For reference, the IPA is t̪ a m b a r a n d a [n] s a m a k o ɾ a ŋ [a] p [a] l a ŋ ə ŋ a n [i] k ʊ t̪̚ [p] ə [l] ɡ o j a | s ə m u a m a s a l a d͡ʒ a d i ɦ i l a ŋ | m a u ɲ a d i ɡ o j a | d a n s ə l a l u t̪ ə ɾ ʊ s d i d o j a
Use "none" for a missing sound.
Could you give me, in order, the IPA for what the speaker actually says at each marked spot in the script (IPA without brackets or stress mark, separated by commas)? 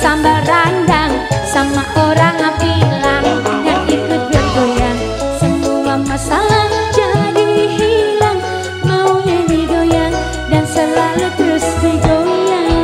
ŋ, a, i, i, b, r